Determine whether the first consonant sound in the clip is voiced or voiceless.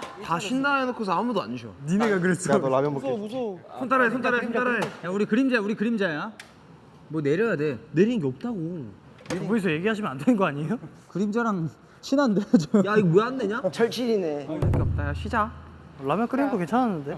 voiceless